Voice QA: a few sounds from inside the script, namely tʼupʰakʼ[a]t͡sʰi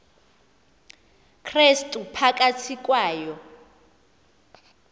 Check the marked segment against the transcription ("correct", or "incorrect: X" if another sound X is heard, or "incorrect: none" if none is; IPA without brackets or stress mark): correct